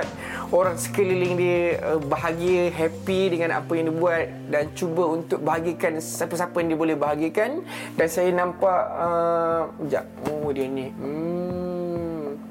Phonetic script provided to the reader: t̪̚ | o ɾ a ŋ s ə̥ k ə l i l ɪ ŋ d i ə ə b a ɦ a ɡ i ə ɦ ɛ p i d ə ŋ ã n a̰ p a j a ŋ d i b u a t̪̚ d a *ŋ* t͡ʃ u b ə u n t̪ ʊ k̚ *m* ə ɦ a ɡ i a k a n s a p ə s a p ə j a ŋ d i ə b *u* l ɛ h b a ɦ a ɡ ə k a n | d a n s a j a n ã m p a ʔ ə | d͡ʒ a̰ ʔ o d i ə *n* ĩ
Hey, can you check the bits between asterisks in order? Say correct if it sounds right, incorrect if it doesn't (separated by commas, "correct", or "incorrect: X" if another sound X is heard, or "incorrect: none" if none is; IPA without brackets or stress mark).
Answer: incorrect: n, incorrect: b, incorrect: o, correct